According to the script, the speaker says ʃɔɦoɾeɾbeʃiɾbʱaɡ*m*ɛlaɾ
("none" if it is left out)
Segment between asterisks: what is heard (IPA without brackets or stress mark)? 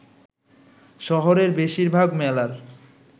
m